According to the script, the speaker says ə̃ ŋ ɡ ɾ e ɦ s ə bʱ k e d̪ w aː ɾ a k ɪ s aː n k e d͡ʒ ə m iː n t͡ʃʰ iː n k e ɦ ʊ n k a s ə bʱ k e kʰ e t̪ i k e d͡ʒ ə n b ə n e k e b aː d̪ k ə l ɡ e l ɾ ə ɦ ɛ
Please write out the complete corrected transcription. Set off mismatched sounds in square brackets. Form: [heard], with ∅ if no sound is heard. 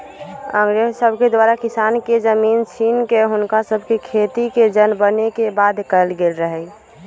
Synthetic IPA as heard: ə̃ ŋ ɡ ɾ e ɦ s ə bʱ k e d̪ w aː ɾ a k ɪ s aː n k e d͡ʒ ə m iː n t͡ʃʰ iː n k e ɦ ʊ n k a s ə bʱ k e kʰ e t̪ i k e d͡ʒ ə n b ə n e k e b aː d̪ k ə l ɡ e l ɾ ə ɦ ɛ